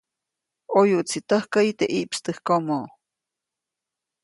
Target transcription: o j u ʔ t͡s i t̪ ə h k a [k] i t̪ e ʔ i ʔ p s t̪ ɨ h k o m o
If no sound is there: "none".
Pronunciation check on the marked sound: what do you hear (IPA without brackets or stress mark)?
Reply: none